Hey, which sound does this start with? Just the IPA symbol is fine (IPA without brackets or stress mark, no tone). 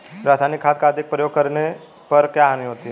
ɾ